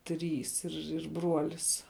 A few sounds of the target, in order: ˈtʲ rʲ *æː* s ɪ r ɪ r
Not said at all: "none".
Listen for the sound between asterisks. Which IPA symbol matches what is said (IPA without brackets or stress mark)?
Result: iː